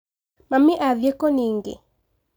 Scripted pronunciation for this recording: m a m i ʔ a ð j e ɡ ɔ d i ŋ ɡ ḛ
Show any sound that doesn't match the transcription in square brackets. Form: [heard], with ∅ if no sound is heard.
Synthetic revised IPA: m a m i ʔ a ð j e [k] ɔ [n] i ŋ ɡ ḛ

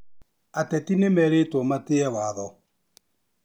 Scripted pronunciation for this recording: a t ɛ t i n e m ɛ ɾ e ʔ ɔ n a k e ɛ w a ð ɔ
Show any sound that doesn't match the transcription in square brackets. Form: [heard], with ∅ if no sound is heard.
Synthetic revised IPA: a t ɛ t i n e m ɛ ɾ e [t] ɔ [m] a [t] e ɛ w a ð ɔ

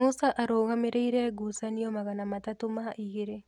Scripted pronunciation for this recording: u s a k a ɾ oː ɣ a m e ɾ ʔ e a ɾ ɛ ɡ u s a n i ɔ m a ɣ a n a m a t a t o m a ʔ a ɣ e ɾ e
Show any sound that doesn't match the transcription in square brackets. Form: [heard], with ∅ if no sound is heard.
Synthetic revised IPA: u s a [ʔ] a ɾ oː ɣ a m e ɾ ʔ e [i] ɾ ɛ ɡ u s a n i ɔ m a ɣ a n a m a t a t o m a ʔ [i] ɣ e ɾ e

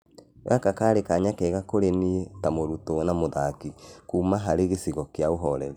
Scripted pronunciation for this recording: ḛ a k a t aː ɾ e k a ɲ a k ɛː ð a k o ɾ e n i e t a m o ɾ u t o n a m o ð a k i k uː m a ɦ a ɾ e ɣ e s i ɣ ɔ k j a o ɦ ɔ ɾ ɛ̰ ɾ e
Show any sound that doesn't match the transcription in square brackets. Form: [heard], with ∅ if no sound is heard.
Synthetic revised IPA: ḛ a k a [k] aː ɾ e k a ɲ a k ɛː [ɣ] a k o ɾ e n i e t a m o ɾ u t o n a m o ð a k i k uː m a ɦ a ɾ e ɣ e s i ɣ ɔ k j a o ɦ ɔ ɾ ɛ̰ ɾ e

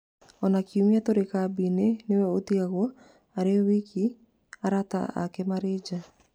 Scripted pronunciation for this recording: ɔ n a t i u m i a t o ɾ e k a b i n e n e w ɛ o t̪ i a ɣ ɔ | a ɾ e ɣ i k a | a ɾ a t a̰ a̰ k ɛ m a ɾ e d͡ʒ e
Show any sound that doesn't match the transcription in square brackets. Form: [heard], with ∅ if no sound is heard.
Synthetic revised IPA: ɔ n a [k] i u m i a t o ɾ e k a b i n e n e w ɛ o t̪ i a ɣ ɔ | a ɾ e [w] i k [i] | a ɾ a t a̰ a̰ k ɛ m a ɾ e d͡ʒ [a]

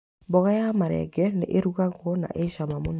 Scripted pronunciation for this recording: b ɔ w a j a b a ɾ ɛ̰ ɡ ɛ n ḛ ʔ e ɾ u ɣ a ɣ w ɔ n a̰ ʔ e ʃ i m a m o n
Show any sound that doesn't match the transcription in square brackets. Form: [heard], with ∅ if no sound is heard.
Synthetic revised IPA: b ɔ [ɣ] a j a [m] a ɾ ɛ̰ ɡ ɛ n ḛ ʔ e ɾ u ɣ a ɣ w ɔ n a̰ ʔ e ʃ [a] m a m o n

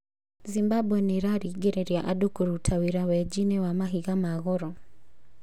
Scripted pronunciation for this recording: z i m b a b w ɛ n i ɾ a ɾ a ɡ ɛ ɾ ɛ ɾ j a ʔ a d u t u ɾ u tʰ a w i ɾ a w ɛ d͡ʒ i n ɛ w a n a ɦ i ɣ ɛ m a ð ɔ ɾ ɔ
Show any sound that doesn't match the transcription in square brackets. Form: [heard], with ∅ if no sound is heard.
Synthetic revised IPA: z i m b a b w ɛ n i ɾ a ɾ [i] ɡ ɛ ɾ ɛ ɾ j a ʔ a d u [k] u ɾ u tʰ a w i ɾ a w ɛ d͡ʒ i n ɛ w a [m] a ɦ i ɣ [a] m a [ɣ] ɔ ɾ ɔ

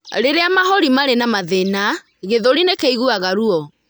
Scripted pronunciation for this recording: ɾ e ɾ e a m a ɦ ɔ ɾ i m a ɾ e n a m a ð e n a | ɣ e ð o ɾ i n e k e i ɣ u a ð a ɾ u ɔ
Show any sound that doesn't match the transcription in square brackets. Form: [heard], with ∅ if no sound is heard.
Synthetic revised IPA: ɾ e ɾ e a m a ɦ ɔ ɾ i m a ɾ e n a m a ð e n a | ɣ e ð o ɾ i n e k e i ɣ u a [ɣ] a ɾ u ɔ

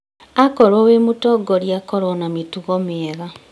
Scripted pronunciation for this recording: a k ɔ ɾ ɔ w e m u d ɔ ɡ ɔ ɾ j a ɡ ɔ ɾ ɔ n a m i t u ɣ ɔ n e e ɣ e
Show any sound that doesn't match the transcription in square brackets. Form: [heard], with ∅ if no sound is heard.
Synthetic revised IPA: a k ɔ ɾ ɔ w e m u [t] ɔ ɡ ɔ ɾ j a [k] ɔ ɾ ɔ n a m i t u ɣ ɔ [m] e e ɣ [a]

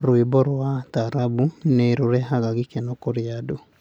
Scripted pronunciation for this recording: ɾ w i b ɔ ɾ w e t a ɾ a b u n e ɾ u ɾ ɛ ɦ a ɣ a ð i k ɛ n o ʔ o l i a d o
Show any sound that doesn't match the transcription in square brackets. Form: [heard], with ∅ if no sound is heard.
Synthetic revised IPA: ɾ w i b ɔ ɾ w [a] t a ɾ a b u n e ɾ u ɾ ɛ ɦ a ɣ a [ɣ] i k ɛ n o [k] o [ɾ] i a d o

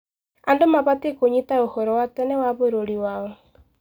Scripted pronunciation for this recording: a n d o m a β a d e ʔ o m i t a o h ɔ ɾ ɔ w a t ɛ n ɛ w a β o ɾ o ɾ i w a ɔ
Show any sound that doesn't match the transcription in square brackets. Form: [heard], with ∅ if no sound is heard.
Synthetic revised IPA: a n d o m a β a [t] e [k] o [ɲ] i t a o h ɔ ɾ ɔ w a t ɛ n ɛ w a β o ɾ o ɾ i w a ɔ

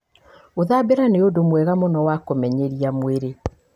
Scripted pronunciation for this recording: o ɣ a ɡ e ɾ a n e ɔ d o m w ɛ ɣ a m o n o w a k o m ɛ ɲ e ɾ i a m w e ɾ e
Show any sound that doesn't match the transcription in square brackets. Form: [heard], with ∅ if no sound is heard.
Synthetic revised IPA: o [ð] a [b] e ɾ a n e [o] d o m w ɛ ɣ a m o n [ɔ] w a k o m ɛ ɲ e ɾ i a m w e ɾ e

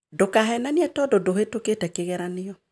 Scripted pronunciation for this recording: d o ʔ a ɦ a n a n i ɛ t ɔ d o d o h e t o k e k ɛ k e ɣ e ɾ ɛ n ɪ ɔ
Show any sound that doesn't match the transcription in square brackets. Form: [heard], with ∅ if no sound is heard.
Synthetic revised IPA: d o [k] a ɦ [ɛ] n a n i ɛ t ɔ d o d o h e t o k e [t] ɛ k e ɣ [ɛ] ɾ [a] n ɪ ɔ

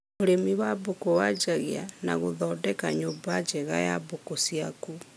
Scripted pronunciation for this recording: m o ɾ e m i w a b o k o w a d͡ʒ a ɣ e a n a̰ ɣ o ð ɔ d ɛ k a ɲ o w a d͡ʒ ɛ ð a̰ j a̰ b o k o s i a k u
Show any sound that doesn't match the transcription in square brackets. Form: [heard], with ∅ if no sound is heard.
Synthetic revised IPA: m o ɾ e m i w a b o k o w a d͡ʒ a ɣ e a n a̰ ɣ o ð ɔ d ɛ k a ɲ o [b] a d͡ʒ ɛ [ɣ] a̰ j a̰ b o k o s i a k u

